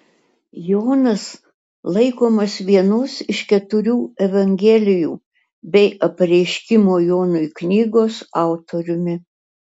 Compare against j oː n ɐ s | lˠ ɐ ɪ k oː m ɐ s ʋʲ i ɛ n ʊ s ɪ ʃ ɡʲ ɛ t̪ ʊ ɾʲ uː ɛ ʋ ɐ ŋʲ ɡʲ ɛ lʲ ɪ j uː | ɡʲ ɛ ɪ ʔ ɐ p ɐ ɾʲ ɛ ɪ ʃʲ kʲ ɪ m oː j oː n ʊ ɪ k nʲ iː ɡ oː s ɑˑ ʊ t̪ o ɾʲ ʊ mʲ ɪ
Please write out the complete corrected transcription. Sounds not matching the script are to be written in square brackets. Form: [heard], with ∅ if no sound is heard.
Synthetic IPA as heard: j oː n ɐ s | lˠ ɐ ɪ k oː m ɐ s ʋʲ i ɛ n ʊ s ɪ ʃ [kʲ] ɛ t̪ ʊ ɾʲ uː ɛ ʋ ɐ ŋʲ ɡʲ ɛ lʲ ɪ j uː | [bʲ] ɛ ɪ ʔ ɐ p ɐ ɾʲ ɛ ɪ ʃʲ kʲ ɪ m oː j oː n ʊ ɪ k nʲ iː ɡ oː s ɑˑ ʊ t̪ o ɾʲ ʊ mʲ ɪ